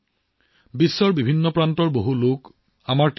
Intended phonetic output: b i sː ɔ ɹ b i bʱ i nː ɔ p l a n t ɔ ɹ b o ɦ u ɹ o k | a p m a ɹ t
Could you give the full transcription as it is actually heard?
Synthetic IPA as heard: b i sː ɔ ɹ b i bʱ i nː ɔ p ɹ a n t ɔ ɹ b o ɦ u l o k | a m a ɹ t